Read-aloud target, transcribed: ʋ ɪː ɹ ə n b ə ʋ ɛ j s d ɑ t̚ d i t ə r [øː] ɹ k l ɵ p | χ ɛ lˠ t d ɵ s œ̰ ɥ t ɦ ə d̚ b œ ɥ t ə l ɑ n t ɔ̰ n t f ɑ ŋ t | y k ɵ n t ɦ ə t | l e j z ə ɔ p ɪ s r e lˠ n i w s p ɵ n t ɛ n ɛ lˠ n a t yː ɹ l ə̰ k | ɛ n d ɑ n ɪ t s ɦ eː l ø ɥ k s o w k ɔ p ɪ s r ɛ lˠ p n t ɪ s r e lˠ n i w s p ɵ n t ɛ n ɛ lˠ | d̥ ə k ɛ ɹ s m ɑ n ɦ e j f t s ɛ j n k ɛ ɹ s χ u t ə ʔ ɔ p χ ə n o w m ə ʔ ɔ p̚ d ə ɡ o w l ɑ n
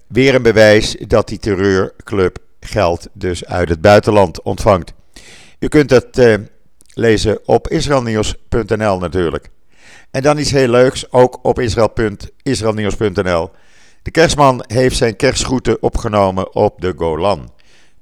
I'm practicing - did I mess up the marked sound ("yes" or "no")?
no